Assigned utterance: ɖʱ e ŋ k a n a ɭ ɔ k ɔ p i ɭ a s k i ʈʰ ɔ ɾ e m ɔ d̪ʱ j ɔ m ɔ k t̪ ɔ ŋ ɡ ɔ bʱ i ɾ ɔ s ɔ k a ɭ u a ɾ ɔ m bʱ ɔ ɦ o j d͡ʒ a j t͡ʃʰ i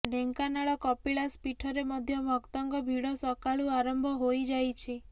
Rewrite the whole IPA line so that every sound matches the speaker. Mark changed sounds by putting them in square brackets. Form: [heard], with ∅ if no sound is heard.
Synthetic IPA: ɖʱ e ŋ k a n a ɭ ɔ k ɔ p i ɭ a s [p] i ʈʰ ɔ ɾ e m ɔ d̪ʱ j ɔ m ɔ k t̪ ɔ ŋ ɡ ɔ bʱ i [ɽ] ɔ s ɔ k a ɭ u a ɾ ɔ m bʱ ɔ ɦ o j d͡ʒ a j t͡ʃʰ i